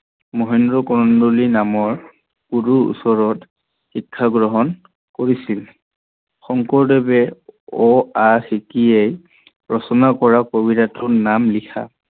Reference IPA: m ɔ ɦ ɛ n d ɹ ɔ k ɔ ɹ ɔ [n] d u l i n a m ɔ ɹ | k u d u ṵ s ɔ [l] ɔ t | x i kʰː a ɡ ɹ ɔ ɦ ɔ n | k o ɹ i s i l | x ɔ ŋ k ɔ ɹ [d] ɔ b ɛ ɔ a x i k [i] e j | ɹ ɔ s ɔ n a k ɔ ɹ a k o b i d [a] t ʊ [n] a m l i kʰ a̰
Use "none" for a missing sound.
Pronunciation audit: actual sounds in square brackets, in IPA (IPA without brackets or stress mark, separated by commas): n, ɹ, d, i, a, n